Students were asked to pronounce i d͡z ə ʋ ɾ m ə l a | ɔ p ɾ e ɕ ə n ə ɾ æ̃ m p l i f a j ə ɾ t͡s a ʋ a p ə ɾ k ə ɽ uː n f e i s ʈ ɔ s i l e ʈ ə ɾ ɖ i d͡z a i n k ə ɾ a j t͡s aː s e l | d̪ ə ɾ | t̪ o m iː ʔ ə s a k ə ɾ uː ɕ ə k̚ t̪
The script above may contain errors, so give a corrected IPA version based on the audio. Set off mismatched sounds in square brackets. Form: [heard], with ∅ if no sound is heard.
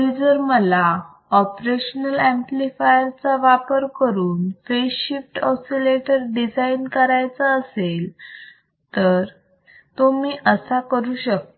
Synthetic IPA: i d͡z ə [∅] ɾ m ə l a | ɔ p ɾ e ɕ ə n ə [l] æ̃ m p l i f a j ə ɾ t͡s a ʋ a p ə ɾ k ə [ɾ] uː n f e i [f] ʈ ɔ s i l e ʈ ə ɾ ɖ i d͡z a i n k ə ɾ a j t͡s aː s e l | [t̪] ə ɾ | t̪ o m iː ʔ ə s a k ə ɾ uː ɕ ə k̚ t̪